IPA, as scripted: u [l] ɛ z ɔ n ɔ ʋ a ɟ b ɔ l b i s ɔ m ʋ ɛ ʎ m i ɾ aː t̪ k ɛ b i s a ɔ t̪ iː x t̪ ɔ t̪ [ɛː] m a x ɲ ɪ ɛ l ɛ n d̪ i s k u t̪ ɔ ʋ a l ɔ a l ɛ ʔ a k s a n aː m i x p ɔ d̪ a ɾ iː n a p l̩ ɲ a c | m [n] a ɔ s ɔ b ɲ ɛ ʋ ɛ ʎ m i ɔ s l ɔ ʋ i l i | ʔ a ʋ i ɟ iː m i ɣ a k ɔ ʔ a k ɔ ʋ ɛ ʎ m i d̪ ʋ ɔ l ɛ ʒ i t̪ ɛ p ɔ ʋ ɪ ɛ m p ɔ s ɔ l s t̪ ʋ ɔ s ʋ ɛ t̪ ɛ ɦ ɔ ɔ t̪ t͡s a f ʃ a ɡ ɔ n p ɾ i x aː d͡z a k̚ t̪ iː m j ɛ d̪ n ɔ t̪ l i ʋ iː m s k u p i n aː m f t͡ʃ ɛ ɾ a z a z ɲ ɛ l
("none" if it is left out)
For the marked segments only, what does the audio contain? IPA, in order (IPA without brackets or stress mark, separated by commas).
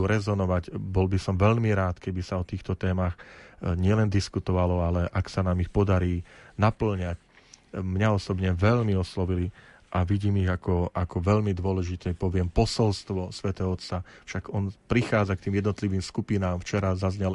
ɾ, ɛː, ɲ